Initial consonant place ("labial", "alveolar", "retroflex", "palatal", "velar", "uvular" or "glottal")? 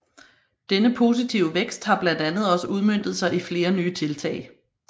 alveolar